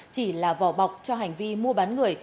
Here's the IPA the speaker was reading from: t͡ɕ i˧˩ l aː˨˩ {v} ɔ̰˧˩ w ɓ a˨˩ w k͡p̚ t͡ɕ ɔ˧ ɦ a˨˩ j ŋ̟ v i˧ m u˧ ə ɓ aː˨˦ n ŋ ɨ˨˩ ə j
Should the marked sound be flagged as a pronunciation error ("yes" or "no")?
no